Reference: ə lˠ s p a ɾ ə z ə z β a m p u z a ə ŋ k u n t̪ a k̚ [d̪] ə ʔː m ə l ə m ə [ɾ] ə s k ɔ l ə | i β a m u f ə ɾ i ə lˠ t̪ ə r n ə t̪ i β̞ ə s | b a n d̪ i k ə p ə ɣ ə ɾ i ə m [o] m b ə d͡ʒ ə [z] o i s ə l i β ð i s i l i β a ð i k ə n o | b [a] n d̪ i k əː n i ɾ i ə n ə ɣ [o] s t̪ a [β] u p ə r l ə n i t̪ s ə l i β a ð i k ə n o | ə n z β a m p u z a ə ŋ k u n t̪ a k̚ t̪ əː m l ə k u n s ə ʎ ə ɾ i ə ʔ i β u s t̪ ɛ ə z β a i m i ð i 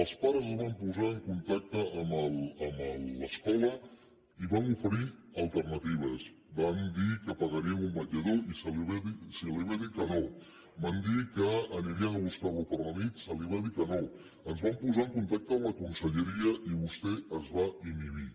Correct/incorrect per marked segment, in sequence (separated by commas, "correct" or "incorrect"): incorrect, incorrect, incorrect, incorrect, correct, incorrect, correct